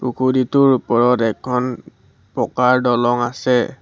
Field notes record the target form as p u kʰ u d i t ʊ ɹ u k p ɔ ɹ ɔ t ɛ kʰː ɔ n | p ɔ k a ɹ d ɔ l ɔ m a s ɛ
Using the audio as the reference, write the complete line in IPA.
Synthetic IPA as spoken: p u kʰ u d i t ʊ ɹ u p ɔ ɹ ɔ t ɛ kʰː ɔ n | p ɔ k a ɹ d ɔ l ɔ ŋ a s ɛ

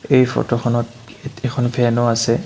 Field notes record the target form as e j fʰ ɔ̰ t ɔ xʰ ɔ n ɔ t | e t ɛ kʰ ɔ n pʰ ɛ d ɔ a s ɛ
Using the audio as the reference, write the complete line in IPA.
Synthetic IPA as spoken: e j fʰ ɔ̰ t ɔ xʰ ɔ n ɔ t | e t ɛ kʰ ɔ n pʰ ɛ n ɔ a s ɛ

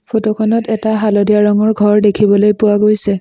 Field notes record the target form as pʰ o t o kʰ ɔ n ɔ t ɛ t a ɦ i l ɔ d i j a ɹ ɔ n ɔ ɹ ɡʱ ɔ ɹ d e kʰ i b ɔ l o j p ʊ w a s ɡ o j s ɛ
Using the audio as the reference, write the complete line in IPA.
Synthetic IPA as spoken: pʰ o t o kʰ ɔ n ɔ t ɛ t a ɦ a l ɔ d i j a ɹ ɔ ŋ ɔ ɹ ɡʱ ɔ ɹ d e kʰ i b ɔ l o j p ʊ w a ɡ o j s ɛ

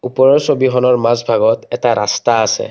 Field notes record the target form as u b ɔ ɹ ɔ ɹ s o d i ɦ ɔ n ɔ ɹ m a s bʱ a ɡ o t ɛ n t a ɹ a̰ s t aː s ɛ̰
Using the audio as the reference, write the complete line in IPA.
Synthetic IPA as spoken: u p ɔ ɹ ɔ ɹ s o b i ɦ ɔ n ɔ ɹ m a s bʱ a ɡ ɔ t ɛ t a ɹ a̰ s t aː s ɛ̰

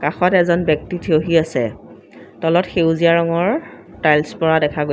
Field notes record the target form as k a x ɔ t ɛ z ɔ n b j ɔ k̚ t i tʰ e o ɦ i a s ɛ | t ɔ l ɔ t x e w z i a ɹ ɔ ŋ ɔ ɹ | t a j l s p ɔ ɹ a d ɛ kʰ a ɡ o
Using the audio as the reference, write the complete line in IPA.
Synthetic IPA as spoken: k a x ɔ t ɛ z ɔ n b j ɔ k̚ t i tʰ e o ɦ i a s ɛ | t ɔ l ɔ t x e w z i a ɹ ɔ ŋ ɔ ɹ | t a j l s p ɔ ɹ a d ɛ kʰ a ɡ o

